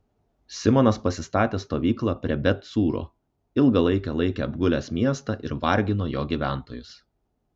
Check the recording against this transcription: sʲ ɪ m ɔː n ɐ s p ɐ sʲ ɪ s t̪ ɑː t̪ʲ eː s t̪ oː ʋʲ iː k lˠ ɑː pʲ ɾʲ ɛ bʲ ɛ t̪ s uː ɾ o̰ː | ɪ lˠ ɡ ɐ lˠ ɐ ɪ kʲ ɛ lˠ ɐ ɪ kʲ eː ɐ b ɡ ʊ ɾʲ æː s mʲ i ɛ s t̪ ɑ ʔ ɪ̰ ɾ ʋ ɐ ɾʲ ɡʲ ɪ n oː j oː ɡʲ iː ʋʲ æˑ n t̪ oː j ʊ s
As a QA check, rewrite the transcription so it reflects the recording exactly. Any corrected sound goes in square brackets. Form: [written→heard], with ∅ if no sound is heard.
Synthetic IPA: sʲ ɪ m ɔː n ɐ s p ɐ sʲ ɪ s t̪ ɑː t̪ʲ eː s t̪ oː ʋʲ iː k lˠ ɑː pʲ ɾʲ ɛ bʲ ɛ t̪ s uː ɾ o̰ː | ɪ lˠ ɡ ɐ lˠ ɐ ɪ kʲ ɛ lˠ ɐ ɪ kʲ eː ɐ b ɡ ʊ [ɾʲ→lʲ] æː s mʲ i ɛ s t̪ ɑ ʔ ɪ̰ ɾ ʋ ɐ ɾʲ ɡʲ ɪ n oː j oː ɡʲ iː ʋʲ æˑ n t̪ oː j ʊ s

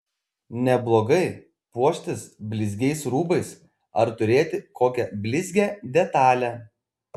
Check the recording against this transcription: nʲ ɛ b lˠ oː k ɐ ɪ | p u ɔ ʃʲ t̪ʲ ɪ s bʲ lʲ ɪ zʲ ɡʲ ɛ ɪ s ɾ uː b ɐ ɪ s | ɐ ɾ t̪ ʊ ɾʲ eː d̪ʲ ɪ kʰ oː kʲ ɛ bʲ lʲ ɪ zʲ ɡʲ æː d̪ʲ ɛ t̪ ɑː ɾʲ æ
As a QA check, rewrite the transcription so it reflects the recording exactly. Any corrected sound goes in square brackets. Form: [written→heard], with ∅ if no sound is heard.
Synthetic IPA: nʲ ɛ b lˠ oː [k→ɡ] ɐ ɪ | p u ɔ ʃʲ t̪ʲ ɪ s bʲ lʲ ɪ zʲ ɡʲ ɛ ɪ s ɾ uː b ɐ ɪ s | ɐ ɾ t̪ ʊ ɾʲ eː [d̪ʲ→t̪ʲ] ɪ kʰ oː kʲ ɛ bʲ lʲ ɪ zʲ ɡʲ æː d̪ʲ ɛ t̪ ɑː [ɾʲ→lʲ] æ

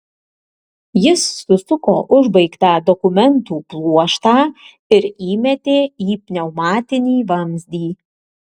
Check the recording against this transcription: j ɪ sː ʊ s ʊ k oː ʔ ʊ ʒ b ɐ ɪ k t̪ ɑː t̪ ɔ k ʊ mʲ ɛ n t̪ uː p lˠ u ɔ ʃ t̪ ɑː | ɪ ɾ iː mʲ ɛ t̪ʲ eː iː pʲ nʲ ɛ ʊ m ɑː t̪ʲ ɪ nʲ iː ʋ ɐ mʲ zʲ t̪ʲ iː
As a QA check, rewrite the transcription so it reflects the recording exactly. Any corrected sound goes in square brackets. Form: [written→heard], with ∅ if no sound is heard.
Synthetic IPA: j ɪ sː ʊ s ʊ k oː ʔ ʊ ʒ b ɐ ɪ k t̪ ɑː [t̪→d̪] ɔ k ʊ mʲ ɛ n t̪ uː p lˠ u ɔ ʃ t̪ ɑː | ɪ ɾ iː mʲ ɛ t̪ʲ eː iː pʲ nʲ ɛ ʊ m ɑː t̪ʲ ɪ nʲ iː ʋ ɐ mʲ zʲ [t̪ʲ→d̪ʲ] iː

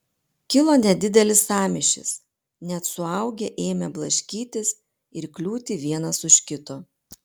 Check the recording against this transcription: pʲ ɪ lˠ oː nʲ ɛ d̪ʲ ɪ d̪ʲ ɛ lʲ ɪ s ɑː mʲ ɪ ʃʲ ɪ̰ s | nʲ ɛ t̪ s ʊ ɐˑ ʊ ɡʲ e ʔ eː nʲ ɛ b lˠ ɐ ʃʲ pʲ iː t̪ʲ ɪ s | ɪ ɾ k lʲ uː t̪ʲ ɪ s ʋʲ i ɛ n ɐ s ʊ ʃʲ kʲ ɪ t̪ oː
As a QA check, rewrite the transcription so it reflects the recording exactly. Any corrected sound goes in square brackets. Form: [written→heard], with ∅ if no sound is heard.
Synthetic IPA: [pʲ→kʲ] ɪ lˠ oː nʲ ɛ d̪ʲ ɪ d̪ʲ ɛ lʲ ɪ s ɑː mʲ ɪ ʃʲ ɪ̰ s | nʲ ɛ t̪ s ʊ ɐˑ ʊ ɡʲ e ʔ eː [nʲ→mʲ] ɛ b lˠ ɐ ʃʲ [pʲ→kʲ] iː t̪ʲ ɪ s | ɪ ɾ k lʲ uː t̪ʲ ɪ [s→∅] ʋʲ i ɛ n ɐ s ʊ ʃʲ kʲ ɪ t̪ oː

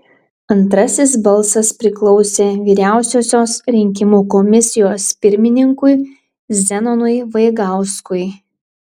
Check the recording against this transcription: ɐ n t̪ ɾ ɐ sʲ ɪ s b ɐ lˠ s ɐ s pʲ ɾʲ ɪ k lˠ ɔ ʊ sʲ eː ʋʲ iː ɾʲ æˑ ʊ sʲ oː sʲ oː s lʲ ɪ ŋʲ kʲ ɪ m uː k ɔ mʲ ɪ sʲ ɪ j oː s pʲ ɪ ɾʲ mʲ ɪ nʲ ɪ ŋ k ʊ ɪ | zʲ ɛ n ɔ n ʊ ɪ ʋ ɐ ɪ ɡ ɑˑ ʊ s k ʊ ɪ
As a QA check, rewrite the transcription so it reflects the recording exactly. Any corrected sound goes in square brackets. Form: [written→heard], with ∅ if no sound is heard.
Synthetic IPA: ɐ n t̪ ɾ ɐ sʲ ɪ s b ɐ lˠ s ɐ s pʲ ɾʲ ɪ k lˠ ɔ ʊ sʲ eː ʋʲ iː ɾʲ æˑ ʊ sʲ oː sʲ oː s [lʲ→ɾʲ] ɪ ŋʲ kʲ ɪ m uː k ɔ mʲ ɪ sʲ ɪ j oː s pʲ ɪ ɾʲ mʲ ɪ nʲ ɪ ŋ k ʊ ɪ | zʲ ɛ n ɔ n ʊ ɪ ʋ ɐ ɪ ɡ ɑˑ ʊ s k ʊ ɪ

